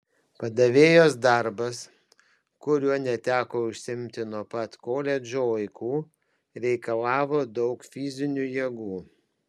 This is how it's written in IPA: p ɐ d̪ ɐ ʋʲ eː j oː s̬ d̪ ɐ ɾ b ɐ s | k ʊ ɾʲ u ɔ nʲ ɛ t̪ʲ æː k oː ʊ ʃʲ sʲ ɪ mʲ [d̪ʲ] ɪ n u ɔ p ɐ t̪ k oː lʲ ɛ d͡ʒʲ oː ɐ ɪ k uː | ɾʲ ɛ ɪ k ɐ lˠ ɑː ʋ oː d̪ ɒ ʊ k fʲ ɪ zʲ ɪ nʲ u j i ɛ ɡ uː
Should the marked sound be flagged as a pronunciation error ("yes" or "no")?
yes